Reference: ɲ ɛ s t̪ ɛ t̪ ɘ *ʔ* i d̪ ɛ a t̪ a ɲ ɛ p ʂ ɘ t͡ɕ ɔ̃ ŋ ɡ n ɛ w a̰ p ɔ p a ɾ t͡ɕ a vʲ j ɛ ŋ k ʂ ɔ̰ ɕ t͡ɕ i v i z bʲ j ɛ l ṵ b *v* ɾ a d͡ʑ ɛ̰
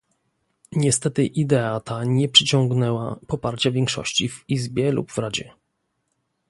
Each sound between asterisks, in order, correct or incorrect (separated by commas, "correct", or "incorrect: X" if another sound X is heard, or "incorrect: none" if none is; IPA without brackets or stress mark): correct, correct